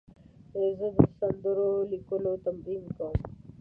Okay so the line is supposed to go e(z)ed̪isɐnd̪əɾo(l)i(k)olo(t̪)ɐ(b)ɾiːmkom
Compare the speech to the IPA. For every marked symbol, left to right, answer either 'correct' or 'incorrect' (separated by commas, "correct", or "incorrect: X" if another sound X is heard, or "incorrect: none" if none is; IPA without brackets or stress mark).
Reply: correct, correct, correct, correct, incorrect: m